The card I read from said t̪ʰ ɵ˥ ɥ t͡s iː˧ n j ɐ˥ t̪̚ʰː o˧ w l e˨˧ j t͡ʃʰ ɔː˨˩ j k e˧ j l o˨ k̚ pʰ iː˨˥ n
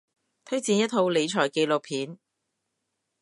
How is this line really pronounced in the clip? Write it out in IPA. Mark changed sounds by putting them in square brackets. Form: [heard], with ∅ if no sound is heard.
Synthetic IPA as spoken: t̪ʰ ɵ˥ ɥ t͡s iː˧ n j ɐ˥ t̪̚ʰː o˧ w l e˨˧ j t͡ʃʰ ɔː˨˩ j k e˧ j l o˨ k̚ pʰ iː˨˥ n